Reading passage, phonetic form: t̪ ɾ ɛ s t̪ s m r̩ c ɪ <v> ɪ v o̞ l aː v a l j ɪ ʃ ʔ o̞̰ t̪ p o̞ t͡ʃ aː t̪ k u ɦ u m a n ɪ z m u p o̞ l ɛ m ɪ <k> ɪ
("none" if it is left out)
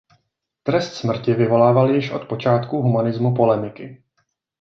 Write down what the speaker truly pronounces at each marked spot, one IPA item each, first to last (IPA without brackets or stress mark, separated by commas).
v, k